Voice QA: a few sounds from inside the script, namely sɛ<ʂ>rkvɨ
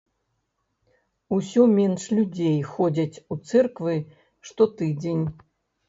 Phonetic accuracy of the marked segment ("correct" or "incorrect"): incorrect